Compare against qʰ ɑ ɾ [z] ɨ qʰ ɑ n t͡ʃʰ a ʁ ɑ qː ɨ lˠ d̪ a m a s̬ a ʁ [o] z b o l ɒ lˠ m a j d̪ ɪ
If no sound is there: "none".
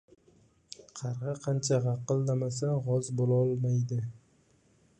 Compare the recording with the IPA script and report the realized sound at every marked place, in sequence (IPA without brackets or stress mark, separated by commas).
ʁ, ɒ